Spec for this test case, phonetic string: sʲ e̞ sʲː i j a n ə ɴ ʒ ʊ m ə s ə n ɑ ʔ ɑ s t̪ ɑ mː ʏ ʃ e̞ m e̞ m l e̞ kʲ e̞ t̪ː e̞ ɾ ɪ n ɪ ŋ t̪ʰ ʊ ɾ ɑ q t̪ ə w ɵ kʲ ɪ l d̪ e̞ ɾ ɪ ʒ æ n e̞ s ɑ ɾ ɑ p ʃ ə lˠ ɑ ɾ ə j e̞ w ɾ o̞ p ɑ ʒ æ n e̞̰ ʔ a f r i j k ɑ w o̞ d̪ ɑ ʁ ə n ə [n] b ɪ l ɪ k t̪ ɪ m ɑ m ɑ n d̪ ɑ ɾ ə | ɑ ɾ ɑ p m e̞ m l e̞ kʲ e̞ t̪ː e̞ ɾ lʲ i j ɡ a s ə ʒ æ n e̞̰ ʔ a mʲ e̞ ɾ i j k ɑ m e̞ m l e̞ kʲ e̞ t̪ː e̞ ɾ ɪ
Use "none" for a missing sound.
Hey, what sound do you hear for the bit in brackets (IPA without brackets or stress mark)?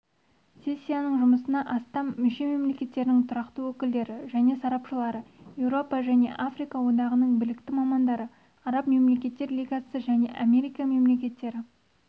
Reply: ɴ